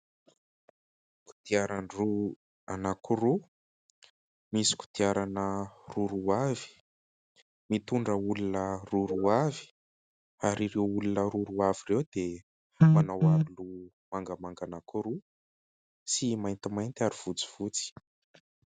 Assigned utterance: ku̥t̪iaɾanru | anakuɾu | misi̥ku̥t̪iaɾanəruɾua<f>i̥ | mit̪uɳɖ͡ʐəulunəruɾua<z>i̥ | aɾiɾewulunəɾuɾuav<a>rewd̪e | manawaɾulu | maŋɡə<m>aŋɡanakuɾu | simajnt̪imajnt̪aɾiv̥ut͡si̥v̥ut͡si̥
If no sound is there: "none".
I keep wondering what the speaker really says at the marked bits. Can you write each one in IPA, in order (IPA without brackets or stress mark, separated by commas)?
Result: v, v, i, m